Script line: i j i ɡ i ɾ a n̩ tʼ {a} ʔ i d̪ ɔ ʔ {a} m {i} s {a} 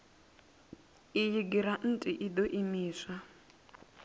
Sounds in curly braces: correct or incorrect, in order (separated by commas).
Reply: incorrect, incorrect, incorrect, correct